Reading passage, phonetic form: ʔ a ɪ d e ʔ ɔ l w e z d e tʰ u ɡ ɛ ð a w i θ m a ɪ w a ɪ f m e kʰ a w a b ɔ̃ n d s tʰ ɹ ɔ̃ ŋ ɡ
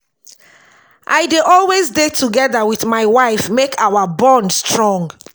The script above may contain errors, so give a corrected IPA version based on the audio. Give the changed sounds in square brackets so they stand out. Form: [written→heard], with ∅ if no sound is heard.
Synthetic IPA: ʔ a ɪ d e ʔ ɔ l w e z d e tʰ u ɡ ɛ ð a w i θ m a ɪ w a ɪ f m e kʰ a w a b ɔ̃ n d s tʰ ɹ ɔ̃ ŋ ɡ